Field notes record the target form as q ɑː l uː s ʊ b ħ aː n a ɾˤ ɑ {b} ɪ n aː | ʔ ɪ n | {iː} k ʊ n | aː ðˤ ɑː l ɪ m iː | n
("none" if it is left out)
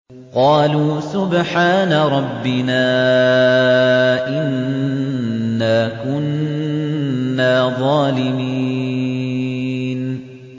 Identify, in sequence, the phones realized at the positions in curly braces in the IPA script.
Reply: bː, aː

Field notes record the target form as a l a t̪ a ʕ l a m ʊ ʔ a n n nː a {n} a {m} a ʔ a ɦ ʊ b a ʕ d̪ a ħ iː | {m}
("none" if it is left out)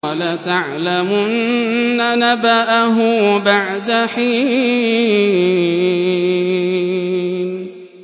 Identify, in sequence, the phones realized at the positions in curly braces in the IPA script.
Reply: n, b, n

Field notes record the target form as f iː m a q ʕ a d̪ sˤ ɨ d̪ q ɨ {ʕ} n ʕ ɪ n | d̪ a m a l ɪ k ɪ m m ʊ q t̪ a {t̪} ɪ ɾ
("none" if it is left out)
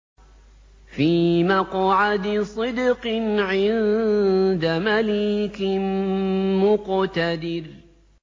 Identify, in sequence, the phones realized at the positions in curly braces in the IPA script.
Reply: none, d̪

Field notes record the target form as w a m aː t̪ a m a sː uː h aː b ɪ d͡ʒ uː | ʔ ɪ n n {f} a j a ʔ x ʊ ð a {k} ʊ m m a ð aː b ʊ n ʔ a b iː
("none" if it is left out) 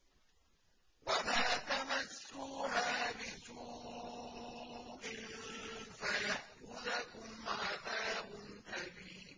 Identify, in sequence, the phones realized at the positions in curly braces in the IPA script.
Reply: f, k

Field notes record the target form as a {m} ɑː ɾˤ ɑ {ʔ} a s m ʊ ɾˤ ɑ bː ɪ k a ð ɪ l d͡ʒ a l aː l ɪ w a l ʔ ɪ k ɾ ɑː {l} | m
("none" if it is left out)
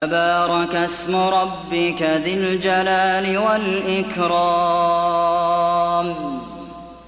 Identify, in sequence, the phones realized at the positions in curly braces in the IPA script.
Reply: b, k, none

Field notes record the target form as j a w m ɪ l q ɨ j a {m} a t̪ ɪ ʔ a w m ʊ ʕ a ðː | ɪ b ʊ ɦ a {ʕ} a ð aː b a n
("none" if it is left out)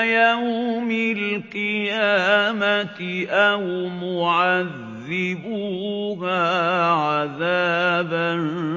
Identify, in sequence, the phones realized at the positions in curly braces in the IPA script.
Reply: m, ʕ

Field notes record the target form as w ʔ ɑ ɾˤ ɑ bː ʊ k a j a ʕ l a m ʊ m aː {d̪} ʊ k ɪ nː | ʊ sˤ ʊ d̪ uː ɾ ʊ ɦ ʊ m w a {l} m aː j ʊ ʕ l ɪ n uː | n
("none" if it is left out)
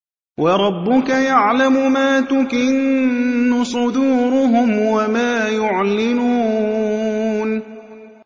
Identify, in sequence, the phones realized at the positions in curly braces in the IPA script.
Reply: t̪, none

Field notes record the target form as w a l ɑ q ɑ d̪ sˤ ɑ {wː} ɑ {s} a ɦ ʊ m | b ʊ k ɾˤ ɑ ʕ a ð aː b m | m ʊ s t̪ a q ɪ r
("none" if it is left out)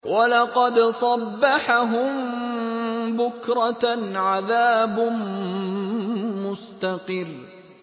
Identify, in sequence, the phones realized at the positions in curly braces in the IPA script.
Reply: bː, ħ

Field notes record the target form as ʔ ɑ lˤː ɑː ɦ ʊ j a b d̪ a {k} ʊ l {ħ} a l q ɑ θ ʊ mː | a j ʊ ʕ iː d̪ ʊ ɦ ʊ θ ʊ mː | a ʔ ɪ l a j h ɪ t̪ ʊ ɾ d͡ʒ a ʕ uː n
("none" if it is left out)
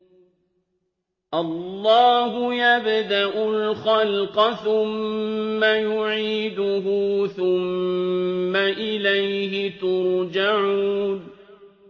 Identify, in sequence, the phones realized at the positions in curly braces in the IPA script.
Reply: ʔ, x

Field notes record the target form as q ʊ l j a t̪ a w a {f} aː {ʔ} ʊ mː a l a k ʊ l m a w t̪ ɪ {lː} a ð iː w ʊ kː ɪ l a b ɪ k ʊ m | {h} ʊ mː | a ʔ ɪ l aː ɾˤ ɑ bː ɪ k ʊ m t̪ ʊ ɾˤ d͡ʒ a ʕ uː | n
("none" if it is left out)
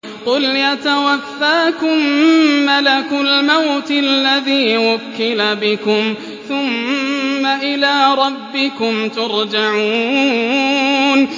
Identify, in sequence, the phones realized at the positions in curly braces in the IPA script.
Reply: fː, k, lː, θ

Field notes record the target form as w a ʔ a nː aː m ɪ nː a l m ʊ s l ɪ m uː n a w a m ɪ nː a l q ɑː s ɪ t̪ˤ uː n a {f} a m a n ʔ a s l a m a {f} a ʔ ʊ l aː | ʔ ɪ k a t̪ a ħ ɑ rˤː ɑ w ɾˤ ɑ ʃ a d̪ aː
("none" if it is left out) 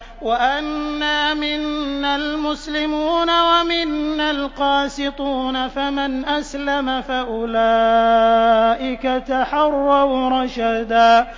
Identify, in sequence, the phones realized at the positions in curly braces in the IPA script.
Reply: f, f

